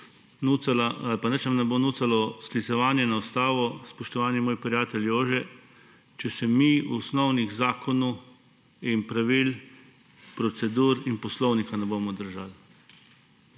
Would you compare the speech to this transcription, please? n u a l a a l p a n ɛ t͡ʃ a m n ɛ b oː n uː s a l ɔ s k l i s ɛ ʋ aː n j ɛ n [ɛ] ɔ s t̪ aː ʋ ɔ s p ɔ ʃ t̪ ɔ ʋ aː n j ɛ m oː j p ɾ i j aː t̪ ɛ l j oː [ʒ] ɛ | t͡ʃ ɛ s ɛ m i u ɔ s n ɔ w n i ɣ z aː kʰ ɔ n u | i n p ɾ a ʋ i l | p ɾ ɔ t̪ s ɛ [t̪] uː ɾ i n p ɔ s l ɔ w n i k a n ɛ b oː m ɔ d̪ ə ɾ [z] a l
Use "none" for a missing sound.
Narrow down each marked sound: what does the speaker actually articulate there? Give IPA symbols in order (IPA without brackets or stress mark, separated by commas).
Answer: a, ʒ, d̪, ʒ